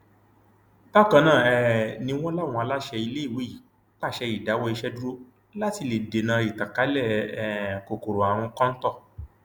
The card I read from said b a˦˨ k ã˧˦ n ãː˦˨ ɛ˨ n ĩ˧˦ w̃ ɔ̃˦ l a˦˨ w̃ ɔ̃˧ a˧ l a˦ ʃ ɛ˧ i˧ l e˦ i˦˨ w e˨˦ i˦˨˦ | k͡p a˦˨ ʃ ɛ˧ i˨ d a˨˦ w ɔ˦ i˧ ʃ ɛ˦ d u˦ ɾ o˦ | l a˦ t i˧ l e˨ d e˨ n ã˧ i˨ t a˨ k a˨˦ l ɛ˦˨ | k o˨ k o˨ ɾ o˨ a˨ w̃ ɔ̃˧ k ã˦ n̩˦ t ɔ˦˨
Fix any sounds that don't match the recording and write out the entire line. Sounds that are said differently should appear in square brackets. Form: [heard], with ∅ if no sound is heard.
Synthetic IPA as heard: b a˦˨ k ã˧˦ n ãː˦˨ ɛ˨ n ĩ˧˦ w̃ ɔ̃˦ l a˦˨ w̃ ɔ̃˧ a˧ l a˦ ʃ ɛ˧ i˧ l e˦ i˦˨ w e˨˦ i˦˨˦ | k͡p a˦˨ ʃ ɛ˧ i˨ d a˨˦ w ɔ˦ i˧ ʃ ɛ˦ d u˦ ɾ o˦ | l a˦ t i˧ l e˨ d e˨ n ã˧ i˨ t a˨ k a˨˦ l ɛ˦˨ | k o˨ k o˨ ɾ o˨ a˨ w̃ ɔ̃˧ k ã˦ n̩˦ t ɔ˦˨